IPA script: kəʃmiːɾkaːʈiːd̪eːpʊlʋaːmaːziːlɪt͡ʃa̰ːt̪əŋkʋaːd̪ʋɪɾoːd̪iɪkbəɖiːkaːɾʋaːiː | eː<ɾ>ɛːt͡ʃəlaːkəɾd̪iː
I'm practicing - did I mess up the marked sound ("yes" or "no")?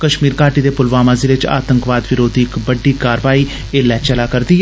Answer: yes